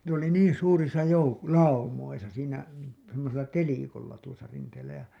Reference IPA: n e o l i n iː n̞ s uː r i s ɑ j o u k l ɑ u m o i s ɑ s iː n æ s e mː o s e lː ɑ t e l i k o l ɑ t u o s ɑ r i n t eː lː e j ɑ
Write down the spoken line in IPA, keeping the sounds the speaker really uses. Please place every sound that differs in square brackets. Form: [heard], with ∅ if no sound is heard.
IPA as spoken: n e o l i n iː n̞ s uː r i s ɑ j o u k l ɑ u m o i s ɑ s iː n æ s e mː o s e lː ɑ t e l i k o [lː] ɑ t u o s ɑ r i n t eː lː [æ] j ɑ